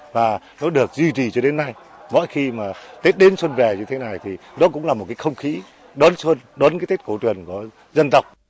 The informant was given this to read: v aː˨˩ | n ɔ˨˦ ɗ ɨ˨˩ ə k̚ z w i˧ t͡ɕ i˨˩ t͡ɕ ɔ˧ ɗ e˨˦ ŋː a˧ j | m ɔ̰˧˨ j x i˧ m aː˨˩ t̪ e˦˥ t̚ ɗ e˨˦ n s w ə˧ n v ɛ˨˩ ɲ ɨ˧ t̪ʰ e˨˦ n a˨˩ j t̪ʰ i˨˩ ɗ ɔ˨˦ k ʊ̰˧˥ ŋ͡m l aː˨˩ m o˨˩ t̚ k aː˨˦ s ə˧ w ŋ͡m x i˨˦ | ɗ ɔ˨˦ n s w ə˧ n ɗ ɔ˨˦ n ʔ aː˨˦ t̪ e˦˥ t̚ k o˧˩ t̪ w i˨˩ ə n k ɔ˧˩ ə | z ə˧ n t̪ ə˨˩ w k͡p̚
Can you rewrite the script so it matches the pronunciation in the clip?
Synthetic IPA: v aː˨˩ | n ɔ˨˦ ɗ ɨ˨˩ ə k̚ z w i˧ t͡ɕ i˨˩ t͡ɕ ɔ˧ ɗ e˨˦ nː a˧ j | m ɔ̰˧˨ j x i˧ m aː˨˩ t̪ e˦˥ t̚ ɗ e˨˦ n s w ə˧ n v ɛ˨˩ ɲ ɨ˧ t̪ʰ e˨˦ n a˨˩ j t̪ʰ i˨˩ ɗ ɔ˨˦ k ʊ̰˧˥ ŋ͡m l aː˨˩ m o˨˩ t̚ k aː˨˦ x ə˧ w ŋ͡m x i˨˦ | ɗ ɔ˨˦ n s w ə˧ n ɗ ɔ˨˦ n k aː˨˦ t̪ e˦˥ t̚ k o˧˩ t̪ w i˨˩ ə n k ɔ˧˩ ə | z ə˧ n t̪ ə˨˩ w k͡p̚